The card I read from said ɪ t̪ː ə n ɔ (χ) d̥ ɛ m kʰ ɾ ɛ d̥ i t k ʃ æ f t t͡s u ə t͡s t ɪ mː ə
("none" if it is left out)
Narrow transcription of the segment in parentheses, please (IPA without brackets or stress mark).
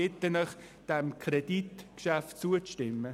χ